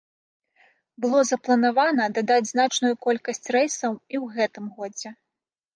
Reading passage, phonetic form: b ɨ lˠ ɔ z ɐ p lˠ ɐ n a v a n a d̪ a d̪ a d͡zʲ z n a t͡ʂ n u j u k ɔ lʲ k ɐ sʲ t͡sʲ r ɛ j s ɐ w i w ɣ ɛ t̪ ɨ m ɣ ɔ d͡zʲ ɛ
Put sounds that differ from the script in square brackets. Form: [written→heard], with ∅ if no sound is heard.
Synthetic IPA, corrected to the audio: b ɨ lˠ ɔ z ɐ p lˠ ɐ n a v a n [a→ɐ] d̪ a d̪ a d͡zʲ z n a t͡ʂ n u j u k ɔ lʲ k ɐ sʲ t͡sʲ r ɛ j s ɐ w i w ɣ ɛ t̪ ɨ m ɣ ɔ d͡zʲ ɛ